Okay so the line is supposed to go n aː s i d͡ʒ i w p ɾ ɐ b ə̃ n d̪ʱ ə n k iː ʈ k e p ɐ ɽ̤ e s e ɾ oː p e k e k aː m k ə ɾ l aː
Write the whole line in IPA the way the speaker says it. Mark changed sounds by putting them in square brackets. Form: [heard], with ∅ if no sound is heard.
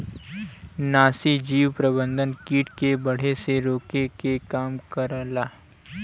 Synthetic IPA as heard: n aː s i d͡ʒ [iː] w p ɾ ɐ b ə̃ n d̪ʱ ə n k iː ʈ k e [b] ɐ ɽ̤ e s e ɾ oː [k] e k e k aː m k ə ɾ l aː

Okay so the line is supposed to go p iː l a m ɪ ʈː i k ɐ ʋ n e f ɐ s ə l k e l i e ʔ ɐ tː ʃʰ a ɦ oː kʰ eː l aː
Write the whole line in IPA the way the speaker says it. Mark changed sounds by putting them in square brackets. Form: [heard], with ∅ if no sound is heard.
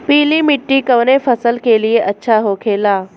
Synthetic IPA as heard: p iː l [i] m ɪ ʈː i k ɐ ʋ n e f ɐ s ə l k e l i e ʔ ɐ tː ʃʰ a ɦ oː kʰ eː l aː

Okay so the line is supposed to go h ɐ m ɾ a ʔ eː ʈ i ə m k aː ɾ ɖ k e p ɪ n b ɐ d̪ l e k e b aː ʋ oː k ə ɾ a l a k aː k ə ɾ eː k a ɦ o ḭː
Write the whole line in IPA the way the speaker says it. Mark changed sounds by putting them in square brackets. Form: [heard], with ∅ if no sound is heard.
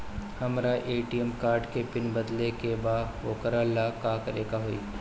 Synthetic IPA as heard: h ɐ m ɾ a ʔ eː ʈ i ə m k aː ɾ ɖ k e p ɪ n b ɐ d̪ l e k e b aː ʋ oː k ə ɾ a l a k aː k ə ɾ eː k a ɦ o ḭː

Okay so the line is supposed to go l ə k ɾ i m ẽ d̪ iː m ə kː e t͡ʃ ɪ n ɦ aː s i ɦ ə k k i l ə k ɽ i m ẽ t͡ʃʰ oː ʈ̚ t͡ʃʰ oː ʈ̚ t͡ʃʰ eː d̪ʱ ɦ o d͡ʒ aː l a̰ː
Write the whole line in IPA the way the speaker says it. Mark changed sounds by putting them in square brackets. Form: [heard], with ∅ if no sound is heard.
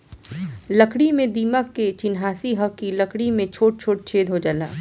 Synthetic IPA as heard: l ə k [ɽ] i m ẽ d̪ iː m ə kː e t͡ʃ ɪ n ɦ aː s i ɦ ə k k i l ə k ɽ i m ẽ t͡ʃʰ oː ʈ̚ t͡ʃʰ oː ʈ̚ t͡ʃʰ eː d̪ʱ ɦ o d͡ʒ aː l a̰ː

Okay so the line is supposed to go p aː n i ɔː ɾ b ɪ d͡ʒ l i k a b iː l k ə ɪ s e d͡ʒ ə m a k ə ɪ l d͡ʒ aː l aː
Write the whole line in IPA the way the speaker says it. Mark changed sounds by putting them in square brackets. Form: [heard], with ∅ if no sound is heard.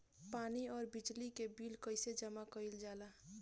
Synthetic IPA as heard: p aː n i ɔː ɾ b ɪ d͡ʒ l i k [e] b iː l k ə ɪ s e d͡ʒ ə m a k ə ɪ l d͡ʒ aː l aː

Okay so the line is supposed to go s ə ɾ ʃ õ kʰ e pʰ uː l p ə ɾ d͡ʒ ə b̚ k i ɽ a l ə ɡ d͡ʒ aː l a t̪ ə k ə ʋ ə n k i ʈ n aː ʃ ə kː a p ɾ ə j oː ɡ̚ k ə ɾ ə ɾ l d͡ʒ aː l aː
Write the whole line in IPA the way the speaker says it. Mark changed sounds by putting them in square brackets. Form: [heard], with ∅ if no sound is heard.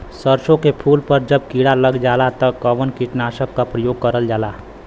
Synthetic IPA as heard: s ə ɾ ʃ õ [k] e pʰ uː l p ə ɾ d͡ʒ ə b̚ k i ɽ a l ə ɡ d͡ʒ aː l a t̪ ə k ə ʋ ə n k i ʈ n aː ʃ ə kː a p ɾ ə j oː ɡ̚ k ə ɾ ə [∅] l d͡ʒ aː l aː

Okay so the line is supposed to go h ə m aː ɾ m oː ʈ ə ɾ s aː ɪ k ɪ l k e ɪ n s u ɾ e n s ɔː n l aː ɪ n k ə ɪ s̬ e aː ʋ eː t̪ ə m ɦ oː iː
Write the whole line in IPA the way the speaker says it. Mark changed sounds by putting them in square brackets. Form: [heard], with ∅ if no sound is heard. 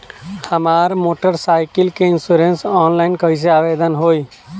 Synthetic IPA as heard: h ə m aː ɾ m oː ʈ ə ɾ s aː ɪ k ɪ l k e ɪ n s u ɾ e n s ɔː n l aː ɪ n k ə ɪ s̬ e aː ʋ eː [d̪] ə [n] ɦ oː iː

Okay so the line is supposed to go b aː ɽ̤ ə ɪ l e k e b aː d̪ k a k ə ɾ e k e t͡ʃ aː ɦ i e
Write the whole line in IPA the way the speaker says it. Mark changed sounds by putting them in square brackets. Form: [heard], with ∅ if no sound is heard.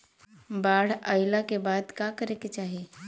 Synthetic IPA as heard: b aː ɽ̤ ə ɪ l [a] k e b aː d̪ k a k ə ɾ e k e t͡ʃ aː ɦ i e

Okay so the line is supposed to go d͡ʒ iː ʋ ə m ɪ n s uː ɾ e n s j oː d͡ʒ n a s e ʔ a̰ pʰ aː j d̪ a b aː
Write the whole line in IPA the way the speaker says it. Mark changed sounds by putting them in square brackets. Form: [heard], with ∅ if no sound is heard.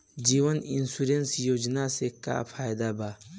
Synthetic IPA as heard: d͡ʒ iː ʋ ə [n] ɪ n s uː ɾ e n s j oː d͡ʒ n a s e [k] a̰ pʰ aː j d̪ a b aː

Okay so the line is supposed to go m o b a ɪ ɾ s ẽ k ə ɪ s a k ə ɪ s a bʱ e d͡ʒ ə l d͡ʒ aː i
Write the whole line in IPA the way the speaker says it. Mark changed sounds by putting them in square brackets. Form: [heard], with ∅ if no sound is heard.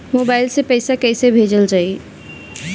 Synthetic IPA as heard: m o b a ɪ [l] s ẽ [p] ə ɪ s a k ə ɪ s [e] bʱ e d͡ʒ ə l d͡ʒ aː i

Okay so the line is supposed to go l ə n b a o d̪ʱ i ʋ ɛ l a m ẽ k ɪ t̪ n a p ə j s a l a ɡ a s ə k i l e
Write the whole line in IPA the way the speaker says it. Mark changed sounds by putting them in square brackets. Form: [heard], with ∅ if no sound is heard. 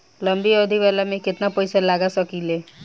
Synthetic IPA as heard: l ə [m] b [i] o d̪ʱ i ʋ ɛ l a m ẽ k ɪ t̪ n a p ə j s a l a ɡ a s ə k i l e

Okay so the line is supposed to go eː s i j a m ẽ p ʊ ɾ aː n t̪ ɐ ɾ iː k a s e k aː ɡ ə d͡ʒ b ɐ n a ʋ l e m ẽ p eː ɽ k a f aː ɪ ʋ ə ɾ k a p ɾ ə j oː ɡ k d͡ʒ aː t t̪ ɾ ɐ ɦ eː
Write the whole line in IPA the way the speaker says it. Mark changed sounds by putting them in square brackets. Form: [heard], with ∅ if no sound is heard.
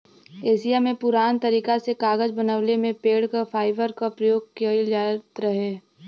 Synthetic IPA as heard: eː s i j a m ẽ p ʊ ɾ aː n t̪ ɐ ɾ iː k a s e k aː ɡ ə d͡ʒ b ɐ n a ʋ l e m ẽ p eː ɽ k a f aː ɪ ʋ ə ɾ k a p ɾ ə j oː ɡ k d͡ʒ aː t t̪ ɾ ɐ ɦ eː

